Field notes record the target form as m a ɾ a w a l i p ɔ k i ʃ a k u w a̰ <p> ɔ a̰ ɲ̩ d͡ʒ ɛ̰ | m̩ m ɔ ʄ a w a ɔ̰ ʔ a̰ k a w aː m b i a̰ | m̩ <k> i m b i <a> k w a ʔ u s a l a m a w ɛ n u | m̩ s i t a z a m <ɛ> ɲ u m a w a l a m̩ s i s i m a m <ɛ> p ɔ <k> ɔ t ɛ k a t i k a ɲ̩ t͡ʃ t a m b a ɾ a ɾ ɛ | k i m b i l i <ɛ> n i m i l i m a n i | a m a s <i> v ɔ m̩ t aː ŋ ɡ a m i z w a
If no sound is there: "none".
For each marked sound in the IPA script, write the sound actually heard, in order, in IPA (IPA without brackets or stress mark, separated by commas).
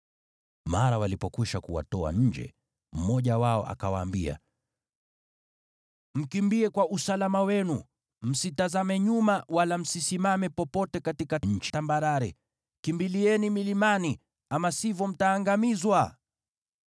t, k, ɛ, ɛ, ɛ, p, ɛ, i